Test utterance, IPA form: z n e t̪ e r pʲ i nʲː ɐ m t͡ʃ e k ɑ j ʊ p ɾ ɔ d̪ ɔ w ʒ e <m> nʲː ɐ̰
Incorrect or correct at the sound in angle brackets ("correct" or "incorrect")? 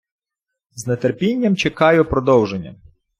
incorrect